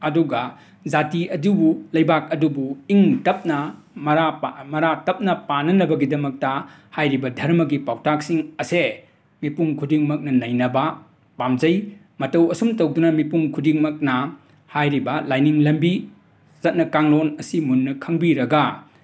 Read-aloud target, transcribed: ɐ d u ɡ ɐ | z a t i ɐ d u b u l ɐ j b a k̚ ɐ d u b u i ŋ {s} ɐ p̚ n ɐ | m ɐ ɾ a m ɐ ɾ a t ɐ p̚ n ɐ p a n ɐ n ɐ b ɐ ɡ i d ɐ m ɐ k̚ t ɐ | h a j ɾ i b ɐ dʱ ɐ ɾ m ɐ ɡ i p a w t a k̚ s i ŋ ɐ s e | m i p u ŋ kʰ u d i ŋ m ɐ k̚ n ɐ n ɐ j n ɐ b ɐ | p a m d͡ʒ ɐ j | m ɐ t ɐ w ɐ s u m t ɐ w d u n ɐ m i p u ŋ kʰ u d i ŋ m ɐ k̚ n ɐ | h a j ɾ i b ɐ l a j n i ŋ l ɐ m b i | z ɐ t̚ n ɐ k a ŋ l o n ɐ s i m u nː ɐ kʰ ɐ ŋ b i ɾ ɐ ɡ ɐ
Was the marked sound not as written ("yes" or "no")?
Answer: yes